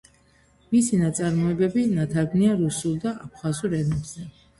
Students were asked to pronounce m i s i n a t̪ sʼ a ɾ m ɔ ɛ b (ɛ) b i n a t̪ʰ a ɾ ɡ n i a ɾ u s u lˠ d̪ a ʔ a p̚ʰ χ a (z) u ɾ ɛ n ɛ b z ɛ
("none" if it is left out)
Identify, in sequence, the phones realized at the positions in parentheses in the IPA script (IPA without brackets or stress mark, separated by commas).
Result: ɛ, z